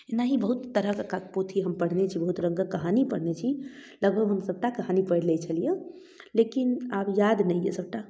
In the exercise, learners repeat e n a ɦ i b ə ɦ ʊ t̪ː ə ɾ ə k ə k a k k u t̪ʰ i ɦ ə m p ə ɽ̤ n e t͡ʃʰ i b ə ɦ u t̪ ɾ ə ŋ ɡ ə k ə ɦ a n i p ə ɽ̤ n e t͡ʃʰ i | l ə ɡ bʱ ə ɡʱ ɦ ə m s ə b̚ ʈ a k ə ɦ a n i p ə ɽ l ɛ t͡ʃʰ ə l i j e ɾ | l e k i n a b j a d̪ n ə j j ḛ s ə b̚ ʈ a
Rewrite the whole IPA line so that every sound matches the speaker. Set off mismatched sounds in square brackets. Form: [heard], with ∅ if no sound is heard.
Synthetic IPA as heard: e n a ɦ i b ə ɦ [u] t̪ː ə ɾ ə k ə k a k [p] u t̪ʰ i ɦ ə m p ə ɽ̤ n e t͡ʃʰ i b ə ɦ u t̪ ɾ ə ŋ ɡ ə k ə ɦ a n i p ə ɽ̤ n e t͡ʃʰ i | l ə ɡ bʱ ə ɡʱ ɦ ə m s ə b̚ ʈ a k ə ɦ a n i p ə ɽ l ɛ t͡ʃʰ ə l i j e [∅] | l e k i n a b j a d̪ n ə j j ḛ s ə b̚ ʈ a